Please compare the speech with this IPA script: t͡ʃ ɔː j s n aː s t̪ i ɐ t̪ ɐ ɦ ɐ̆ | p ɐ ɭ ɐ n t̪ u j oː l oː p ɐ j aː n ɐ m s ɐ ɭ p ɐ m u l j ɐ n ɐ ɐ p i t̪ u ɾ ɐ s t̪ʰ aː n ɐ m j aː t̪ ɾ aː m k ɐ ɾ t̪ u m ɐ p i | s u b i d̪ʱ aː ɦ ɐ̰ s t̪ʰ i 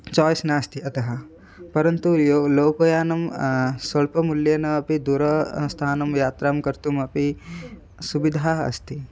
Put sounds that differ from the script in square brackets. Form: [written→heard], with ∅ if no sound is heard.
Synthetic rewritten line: t͡ʃ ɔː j s n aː s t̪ i ɐ t̪ ɐ ɦ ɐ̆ | p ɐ [ɭ→ɾ] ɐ n t̪ u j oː l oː p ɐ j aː n ɐ m s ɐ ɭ p ɐ m u l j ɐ n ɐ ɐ p i [t̪→d̪] u ɾ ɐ s t̪ʰ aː n ɐ m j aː t̪ ɾ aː m k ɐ ɾ t̪ u m ɐ p i | s u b i d̪ʱ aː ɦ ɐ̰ s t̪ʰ i